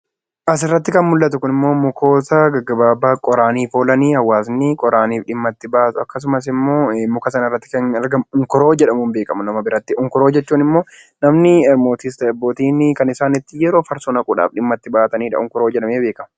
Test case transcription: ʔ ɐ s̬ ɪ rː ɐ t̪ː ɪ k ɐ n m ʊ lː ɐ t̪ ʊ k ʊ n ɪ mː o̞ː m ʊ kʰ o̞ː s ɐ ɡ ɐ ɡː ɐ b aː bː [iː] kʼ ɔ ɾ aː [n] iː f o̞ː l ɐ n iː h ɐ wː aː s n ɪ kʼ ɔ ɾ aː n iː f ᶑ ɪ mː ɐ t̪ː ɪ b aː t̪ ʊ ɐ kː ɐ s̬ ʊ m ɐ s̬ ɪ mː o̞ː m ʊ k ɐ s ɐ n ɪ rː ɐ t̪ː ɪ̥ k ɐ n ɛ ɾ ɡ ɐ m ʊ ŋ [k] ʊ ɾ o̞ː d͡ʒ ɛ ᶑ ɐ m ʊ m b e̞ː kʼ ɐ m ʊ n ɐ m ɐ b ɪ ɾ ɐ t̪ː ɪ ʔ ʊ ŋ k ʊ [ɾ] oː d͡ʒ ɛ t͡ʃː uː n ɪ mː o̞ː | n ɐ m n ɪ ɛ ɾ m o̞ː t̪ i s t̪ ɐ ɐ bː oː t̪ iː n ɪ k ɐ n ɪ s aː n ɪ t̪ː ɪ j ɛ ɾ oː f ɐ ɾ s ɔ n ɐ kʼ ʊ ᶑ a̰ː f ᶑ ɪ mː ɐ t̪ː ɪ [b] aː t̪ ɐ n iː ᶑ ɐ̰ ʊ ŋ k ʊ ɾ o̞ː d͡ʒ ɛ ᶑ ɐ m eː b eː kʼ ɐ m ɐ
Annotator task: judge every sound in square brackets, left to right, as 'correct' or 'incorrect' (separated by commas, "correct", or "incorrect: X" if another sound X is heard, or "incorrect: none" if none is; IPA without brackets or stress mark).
incorrect: aː, correct, correct, correct, correct